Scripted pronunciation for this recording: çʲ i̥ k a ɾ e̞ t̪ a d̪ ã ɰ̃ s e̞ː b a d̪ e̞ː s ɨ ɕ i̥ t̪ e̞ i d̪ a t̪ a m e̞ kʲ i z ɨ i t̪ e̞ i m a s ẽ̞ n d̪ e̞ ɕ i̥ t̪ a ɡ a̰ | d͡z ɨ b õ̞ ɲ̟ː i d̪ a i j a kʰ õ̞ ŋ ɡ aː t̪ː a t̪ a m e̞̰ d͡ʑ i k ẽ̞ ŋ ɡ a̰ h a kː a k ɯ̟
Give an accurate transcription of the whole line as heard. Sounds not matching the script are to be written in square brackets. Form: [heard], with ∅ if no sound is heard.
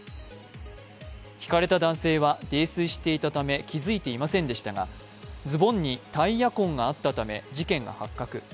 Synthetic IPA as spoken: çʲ i̥ k a ɾ e̞ t̪ a d̪ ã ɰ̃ s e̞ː [β] a d̪ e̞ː s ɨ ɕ i̥ t̪ e̞ i [t̪] a t̪ a m e̞ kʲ i z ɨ i t̪ e̞ i m a s ẽ̞ n d̪ e̞ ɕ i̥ t̪ a ɡ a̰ | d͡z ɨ b õ̞ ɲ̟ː i [t̪] a i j a [k] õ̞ ŋ ɡ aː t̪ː a t̪ a m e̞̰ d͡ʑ i k ẽ̞ ŋ ɡ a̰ h a kː a k ɯ̟